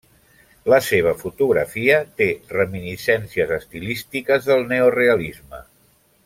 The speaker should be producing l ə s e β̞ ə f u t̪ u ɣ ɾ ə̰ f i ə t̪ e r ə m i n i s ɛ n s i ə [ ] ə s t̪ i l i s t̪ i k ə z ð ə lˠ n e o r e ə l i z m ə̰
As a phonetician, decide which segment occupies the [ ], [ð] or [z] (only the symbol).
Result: z